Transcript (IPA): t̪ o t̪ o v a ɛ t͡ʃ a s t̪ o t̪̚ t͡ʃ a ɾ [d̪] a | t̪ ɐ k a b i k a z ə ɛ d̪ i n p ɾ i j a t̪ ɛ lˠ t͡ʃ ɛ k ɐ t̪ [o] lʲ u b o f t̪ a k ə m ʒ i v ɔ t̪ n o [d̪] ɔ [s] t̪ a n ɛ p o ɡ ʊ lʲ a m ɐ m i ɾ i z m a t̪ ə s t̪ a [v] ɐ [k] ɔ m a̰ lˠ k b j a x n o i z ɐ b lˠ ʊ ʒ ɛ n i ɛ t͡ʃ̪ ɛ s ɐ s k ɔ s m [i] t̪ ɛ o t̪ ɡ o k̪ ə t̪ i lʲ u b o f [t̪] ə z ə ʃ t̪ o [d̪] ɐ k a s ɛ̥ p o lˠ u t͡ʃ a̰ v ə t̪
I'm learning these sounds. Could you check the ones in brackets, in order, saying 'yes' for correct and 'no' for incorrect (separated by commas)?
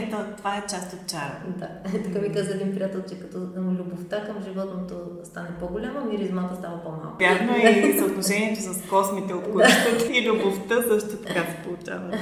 yes, no, no, yes, yes, no, yes, yes, no